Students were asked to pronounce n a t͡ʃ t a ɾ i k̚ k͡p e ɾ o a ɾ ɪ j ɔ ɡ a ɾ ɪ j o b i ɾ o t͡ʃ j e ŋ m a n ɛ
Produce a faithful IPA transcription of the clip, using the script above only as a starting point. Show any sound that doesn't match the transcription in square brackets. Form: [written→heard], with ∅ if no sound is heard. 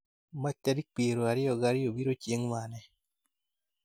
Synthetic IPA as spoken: [n→m] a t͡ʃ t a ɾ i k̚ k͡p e ɾ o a ɾ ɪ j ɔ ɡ a ɾ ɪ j o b i ɾ o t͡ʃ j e ŋ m a n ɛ